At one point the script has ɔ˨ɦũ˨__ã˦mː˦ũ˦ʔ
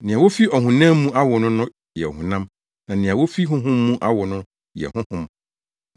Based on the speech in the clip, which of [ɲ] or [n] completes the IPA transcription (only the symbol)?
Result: n